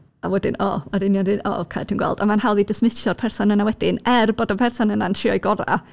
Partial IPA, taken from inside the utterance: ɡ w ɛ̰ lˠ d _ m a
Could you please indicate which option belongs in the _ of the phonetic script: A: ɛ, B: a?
B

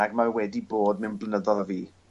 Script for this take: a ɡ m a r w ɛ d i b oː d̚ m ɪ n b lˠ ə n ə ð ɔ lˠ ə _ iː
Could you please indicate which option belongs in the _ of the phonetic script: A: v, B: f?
A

